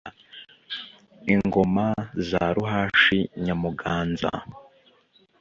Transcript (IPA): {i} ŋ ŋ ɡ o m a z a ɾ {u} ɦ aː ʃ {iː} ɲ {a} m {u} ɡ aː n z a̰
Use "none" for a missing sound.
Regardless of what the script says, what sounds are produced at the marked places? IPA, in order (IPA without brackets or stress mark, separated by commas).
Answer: i, u, i, a, u